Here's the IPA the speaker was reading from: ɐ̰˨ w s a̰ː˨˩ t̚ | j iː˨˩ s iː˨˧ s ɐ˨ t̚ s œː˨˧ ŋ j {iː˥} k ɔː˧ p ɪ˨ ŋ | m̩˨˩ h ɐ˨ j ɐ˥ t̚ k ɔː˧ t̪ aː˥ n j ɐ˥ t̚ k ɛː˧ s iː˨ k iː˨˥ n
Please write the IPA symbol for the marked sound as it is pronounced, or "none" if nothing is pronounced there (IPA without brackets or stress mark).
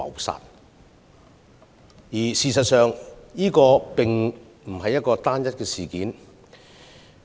iː˥